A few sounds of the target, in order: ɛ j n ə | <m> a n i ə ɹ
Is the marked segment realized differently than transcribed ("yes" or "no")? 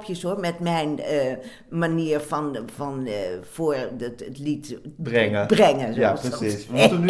no